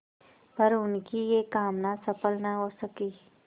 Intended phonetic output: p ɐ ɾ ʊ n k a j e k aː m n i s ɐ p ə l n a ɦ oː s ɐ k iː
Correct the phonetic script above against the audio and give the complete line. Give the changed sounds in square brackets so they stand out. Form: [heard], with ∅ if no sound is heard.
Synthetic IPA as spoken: p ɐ ɾ ʊ n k [i] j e k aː m n [a] s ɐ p ə l n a ɦ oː s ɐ k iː